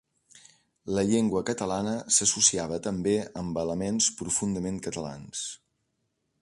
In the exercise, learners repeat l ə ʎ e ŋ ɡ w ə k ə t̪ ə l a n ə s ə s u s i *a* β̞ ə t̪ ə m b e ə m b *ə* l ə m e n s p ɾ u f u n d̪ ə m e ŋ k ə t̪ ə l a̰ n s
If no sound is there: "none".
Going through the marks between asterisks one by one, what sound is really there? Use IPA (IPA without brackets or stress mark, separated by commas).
a, ə